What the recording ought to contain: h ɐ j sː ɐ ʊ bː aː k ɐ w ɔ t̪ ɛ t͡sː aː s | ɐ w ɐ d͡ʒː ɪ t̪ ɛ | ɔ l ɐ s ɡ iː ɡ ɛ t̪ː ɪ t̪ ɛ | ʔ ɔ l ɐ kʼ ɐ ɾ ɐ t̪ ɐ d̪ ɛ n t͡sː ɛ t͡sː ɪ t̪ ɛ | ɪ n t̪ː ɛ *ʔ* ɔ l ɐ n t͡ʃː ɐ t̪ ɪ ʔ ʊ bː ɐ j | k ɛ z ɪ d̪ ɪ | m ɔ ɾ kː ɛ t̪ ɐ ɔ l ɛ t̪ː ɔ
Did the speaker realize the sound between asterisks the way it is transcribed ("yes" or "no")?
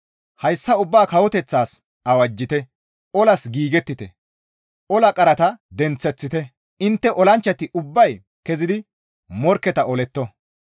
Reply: yes